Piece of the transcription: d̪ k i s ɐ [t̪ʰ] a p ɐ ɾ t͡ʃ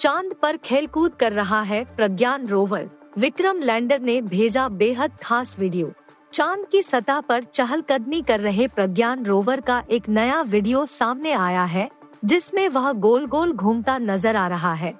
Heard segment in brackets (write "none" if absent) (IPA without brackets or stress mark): t̪